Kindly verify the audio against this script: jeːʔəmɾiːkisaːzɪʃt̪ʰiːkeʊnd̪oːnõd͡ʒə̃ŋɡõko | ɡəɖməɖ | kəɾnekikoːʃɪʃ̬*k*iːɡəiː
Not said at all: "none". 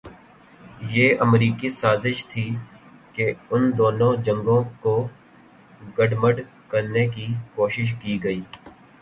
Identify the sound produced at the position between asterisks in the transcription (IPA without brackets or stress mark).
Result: k